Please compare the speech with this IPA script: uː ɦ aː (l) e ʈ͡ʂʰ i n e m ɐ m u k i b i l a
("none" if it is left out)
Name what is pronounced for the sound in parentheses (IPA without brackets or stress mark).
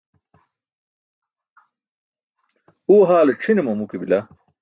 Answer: l